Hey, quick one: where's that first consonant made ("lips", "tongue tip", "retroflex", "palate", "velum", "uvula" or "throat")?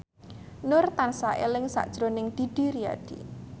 tongue tip